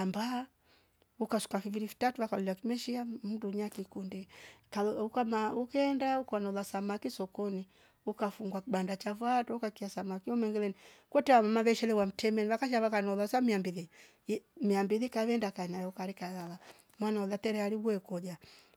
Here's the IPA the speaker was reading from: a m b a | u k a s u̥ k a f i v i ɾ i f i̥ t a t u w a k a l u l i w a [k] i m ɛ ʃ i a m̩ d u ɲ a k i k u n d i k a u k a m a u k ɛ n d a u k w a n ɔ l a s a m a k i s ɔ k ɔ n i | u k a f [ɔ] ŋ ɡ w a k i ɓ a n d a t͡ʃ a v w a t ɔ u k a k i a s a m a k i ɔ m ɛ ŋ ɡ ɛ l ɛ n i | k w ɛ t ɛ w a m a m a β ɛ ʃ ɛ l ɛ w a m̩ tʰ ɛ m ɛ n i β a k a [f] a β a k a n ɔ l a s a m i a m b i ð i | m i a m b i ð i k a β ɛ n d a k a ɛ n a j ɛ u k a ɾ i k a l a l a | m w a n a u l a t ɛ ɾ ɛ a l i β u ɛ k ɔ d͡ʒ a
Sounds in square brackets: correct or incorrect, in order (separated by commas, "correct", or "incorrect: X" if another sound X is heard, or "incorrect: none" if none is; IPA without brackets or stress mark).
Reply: correct, incorrect: u, incorrect: ʃ